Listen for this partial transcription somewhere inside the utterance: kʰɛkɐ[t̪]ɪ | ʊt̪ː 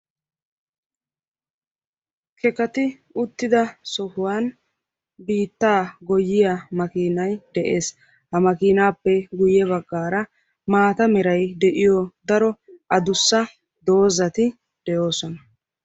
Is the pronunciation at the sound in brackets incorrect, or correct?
correct